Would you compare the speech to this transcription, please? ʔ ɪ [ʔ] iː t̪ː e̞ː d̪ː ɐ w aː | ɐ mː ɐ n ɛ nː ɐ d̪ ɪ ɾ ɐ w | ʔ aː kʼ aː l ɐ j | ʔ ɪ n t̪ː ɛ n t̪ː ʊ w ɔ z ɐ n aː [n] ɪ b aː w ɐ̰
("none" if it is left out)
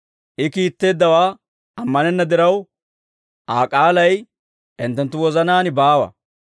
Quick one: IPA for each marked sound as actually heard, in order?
k, n

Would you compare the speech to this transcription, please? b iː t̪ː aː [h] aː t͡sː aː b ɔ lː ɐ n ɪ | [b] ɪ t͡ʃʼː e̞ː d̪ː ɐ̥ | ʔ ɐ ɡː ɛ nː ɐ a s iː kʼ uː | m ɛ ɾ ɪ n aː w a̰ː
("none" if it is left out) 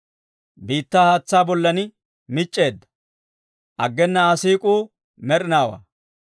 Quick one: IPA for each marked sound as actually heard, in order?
h, m

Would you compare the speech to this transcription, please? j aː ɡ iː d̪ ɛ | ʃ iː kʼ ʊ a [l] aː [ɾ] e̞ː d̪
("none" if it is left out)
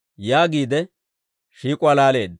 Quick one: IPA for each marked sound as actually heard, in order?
l, l

